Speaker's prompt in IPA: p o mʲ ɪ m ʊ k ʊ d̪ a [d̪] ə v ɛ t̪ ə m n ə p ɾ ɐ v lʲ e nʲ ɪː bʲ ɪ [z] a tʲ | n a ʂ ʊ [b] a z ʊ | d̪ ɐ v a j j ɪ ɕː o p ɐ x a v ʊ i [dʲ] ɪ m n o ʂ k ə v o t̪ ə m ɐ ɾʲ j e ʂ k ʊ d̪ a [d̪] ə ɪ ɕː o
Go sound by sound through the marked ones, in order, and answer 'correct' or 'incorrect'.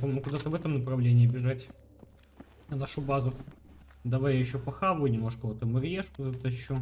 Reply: incorrect: t̪, incorrect: ʐ, correct, incorrect: nʲ, incorrect: t̪

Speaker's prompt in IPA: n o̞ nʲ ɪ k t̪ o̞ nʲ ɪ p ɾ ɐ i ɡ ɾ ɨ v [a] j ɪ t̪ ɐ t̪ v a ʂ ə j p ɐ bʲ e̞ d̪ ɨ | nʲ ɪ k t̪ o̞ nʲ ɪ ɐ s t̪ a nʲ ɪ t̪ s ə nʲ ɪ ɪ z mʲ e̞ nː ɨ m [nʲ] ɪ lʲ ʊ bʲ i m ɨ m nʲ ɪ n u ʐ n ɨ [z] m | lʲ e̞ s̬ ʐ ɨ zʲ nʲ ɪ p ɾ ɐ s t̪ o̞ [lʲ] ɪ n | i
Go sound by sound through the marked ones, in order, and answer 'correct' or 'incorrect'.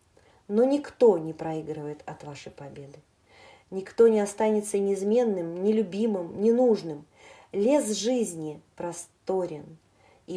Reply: incorrect: ə, correct, incorrect: none, incorrect: ɾʲ

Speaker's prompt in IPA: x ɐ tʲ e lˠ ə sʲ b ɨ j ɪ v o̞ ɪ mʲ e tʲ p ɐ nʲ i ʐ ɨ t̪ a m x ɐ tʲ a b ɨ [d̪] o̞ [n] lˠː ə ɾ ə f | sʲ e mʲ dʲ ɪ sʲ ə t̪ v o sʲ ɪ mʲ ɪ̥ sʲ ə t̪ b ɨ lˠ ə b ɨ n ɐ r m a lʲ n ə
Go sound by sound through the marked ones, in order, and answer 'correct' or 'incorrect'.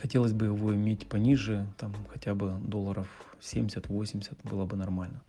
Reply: correct, incorrect: none

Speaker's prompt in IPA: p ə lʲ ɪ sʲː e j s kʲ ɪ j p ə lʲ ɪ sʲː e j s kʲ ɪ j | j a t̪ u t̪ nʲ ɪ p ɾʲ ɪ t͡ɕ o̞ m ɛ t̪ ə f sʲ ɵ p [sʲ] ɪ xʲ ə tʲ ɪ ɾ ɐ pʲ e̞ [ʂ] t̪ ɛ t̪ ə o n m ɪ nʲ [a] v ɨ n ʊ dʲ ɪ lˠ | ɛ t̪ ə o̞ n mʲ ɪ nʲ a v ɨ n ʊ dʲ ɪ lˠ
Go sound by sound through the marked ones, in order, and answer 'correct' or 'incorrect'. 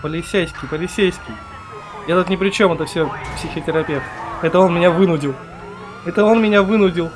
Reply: correct, incorrect: f, correct

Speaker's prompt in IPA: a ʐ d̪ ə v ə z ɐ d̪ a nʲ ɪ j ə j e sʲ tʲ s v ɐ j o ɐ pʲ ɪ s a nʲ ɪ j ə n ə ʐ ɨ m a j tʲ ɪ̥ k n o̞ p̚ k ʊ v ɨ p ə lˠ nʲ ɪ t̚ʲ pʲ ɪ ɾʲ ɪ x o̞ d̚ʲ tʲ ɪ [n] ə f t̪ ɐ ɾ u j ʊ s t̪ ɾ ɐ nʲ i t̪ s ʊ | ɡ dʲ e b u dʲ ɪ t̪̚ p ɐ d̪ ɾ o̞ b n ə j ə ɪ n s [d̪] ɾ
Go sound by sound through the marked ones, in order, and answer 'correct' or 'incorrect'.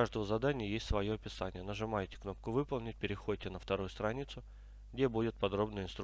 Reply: correct, incorrect: t̪

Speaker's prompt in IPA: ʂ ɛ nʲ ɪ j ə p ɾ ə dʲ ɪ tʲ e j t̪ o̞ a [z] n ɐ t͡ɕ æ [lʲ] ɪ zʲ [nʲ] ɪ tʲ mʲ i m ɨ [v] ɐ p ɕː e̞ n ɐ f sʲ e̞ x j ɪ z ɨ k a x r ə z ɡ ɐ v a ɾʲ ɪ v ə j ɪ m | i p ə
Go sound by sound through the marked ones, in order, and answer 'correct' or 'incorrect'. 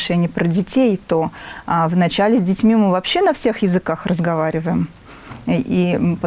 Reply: incorrect: v, correct, incorrect: dʲ, correct

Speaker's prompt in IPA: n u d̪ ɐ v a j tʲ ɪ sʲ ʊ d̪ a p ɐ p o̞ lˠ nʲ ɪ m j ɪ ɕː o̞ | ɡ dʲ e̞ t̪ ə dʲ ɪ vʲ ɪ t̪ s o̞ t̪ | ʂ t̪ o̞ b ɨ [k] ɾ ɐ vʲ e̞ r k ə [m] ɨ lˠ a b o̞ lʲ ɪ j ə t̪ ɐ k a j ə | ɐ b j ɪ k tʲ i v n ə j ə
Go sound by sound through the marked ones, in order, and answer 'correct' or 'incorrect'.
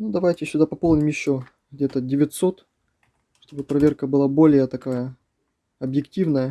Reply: incorrect: p, incorrect: b

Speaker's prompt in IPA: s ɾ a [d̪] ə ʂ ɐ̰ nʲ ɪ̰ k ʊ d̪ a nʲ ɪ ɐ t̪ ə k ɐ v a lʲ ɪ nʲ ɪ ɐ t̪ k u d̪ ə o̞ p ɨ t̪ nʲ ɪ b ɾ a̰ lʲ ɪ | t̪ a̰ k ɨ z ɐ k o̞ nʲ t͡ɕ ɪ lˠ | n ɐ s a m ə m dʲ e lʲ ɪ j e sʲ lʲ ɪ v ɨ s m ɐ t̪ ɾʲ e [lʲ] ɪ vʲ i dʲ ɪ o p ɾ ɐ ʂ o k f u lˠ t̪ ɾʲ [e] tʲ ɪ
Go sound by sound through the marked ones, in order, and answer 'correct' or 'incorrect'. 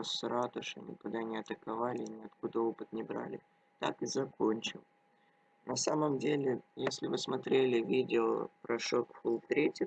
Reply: incorrect: t̪, correct, correct

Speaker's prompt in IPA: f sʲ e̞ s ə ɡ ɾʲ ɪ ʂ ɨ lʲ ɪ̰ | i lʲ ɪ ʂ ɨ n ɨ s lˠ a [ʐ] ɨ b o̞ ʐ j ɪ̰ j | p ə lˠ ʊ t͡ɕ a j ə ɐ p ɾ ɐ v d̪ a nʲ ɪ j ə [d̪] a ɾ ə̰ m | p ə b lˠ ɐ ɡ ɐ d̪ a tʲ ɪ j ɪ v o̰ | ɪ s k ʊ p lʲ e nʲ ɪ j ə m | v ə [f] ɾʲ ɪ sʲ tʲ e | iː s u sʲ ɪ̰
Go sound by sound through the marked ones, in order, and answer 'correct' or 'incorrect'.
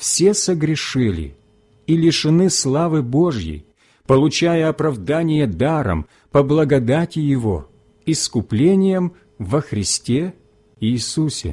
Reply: incorrect: v, correct, incorrect: x

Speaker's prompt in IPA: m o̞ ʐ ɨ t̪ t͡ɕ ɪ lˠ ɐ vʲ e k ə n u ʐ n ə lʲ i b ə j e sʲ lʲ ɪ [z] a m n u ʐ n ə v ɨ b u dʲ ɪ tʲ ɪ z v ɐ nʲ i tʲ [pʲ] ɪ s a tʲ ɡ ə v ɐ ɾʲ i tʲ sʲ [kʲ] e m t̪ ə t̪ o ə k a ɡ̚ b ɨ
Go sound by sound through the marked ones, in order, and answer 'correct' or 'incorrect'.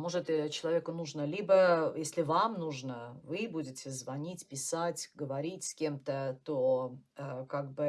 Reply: incorrect: v, correct, correct

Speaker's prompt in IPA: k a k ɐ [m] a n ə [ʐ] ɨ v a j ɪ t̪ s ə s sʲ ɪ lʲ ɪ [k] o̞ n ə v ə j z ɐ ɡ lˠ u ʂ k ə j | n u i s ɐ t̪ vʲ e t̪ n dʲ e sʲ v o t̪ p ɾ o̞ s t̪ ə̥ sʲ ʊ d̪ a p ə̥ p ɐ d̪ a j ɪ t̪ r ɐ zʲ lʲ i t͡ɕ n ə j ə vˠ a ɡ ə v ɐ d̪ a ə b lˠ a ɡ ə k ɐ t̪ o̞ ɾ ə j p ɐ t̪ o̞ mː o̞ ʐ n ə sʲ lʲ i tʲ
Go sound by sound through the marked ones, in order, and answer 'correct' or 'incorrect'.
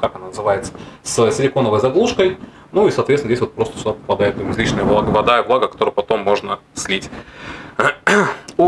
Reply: incorrect: n, incorrect: z, correct

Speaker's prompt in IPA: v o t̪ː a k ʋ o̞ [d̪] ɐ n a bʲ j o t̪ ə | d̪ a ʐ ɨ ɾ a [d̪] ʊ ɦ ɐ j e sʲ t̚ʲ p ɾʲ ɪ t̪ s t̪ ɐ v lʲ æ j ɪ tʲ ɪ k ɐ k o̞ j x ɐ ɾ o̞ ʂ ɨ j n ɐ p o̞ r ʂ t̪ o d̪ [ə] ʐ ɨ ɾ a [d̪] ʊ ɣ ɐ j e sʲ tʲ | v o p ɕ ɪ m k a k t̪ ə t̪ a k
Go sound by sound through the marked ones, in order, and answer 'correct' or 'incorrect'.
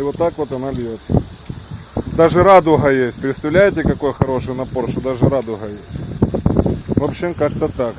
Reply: incorrect: t̪, correct, incorrect: a, correct

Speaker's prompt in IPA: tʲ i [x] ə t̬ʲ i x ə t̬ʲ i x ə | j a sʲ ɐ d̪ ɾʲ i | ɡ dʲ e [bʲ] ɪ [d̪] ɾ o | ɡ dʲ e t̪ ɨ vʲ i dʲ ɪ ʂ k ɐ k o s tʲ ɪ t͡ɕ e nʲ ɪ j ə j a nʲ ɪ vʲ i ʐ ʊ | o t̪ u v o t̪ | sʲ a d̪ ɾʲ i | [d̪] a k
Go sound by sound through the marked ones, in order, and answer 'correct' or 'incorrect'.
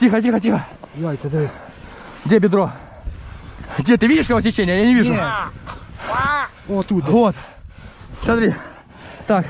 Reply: correct, correct, correct, incorrect: t̪

